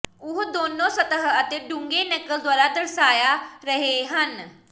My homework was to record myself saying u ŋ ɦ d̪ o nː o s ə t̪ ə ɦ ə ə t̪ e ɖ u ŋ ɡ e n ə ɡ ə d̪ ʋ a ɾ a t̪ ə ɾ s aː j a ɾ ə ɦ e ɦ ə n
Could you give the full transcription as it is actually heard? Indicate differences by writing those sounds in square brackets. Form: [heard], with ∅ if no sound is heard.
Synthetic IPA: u [∅] ɦ d̪ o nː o s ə t̪ ə ɦ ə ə t̪ e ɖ u ŋ ɡ e n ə [k] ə d̪ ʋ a ɾ a t̪ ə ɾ s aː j a ɾ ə ɦ e ɦ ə n